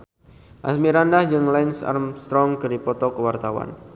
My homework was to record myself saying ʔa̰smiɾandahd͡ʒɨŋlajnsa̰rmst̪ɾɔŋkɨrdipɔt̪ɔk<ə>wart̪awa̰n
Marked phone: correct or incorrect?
correct